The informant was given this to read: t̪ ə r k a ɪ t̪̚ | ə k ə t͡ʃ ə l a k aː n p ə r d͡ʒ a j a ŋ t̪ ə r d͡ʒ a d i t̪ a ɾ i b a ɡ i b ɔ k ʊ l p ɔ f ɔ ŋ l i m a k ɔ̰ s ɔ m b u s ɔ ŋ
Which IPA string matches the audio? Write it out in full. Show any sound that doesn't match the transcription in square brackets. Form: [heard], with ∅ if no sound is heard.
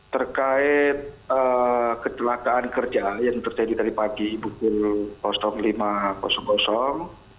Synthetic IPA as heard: t̪ ə r k a ɪ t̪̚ | ə k ə t͡ʃ ə l a k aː n [k] ə r d͡ʒ a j a ŋ t̪ ə r d͡ʒ a d i t̪ a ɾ i [p] a ɡ i b [u] k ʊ l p ɔ [s] ɔ ŋ l i m a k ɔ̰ s ɔ [ŋ] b [ɔ] s ɔ ŋ